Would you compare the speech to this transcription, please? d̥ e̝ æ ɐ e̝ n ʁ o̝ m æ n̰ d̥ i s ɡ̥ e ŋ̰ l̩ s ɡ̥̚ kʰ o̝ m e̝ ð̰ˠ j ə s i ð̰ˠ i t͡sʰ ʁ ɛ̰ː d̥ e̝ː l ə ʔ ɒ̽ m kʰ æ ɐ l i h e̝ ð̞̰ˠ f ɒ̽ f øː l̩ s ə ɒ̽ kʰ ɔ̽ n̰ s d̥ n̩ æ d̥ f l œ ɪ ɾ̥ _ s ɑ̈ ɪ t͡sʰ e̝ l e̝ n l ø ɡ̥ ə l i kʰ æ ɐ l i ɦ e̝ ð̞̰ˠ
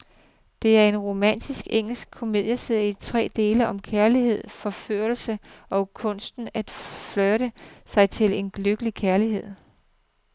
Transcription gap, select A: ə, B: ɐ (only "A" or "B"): A